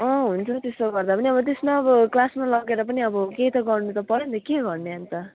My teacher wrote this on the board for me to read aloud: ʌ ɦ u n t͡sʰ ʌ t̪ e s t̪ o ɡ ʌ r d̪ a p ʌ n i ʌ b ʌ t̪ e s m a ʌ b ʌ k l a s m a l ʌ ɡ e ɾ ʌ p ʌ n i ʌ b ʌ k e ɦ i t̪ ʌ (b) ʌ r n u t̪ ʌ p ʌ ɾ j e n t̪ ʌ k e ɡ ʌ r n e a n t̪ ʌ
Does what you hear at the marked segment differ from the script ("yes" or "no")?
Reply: yes